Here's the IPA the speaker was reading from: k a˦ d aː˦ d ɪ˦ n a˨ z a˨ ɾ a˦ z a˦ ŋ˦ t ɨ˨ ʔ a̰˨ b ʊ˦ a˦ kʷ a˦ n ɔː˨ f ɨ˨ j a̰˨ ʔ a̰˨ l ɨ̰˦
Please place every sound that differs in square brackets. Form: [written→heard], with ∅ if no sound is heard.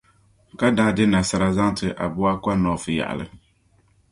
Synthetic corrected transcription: k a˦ d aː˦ d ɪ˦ n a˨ [z→s] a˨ ɾ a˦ z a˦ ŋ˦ t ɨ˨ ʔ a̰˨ b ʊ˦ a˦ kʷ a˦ n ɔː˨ f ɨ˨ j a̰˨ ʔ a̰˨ l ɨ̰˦